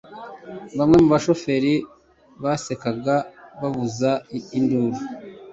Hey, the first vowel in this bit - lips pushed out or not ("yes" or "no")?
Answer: no